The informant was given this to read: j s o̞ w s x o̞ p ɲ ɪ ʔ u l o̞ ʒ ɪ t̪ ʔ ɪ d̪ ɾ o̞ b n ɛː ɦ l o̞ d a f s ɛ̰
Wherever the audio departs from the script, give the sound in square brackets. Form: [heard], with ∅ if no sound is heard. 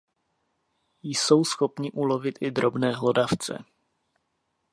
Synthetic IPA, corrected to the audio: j s o̞ w s x o̞ p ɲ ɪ ʔ u l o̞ [v] ɪ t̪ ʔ ɪ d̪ ɾ o̞ b n ɛː ɦ l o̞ d a f [t͡s] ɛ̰

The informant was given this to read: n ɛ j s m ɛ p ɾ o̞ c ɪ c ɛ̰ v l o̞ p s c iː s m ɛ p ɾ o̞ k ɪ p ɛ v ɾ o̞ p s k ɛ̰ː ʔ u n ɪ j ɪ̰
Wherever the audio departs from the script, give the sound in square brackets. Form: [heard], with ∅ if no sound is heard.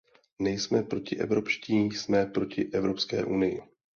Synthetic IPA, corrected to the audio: n ɛ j s m ɛ p ɾ o̞ c ɪ [ʔ] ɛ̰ v [ɾ] o̞ p [ʃ] c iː s m ɛ p ɾ o̞ [c] ɪ [ʔ] ɛ v ɾ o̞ p s k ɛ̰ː ʔ u n ɪ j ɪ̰

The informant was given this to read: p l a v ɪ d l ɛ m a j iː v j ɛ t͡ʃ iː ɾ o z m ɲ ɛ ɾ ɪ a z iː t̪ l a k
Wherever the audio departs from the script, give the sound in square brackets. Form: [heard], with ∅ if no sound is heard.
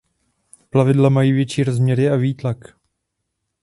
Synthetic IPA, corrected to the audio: p l a v ɪ d l [a] m a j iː v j ɛ t͡ʃ iː ɾ o z m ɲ ɛ ɾ ɪ a [v] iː t̪ l a k

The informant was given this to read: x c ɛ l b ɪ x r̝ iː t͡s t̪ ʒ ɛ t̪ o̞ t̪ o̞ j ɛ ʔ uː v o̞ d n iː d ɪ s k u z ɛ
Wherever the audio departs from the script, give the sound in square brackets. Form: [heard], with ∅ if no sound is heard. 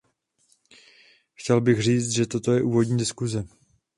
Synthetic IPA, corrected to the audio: x c ɛ l b ɪ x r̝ iː t͡s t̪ ʒ ɛ t̪ o̞ t̪ o̞ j ɛ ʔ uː v o̞ d [ɲ] iː d ɪ s k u z ɛ

